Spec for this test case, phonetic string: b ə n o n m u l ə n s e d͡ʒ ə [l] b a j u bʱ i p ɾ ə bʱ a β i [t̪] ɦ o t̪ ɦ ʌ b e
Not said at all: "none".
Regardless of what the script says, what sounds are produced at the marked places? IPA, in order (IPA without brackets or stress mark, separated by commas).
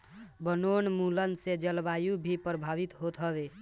l, t̪